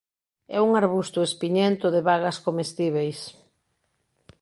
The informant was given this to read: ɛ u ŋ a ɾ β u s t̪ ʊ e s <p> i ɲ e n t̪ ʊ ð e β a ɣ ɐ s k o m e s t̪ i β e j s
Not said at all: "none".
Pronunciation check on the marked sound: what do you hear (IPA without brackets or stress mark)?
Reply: p